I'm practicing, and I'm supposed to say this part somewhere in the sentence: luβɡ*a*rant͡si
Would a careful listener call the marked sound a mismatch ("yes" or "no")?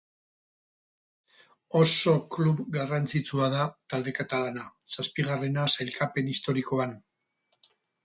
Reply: no